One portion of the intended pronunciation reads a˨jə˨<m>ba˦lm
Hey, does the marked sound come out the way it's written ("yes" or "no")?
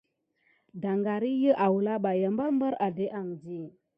yes